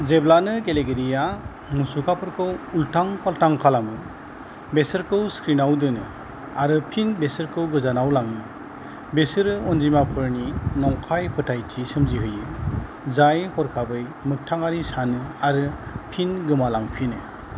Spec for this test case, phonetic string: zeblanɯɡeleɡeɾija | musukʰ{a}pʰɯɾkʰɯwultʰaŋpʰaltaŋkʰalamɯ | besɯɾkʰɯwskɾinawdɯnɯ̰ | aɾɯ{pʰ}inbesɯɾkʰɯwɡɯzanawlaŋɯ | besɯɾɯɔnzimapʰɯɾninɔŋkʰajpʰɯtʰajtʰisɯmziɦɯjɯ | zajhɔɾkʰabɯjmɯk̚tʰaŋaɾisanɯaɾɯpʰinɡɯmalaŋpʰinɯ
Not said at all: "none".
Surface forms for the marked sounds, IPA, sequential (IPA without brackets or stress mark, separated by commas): a, pʰ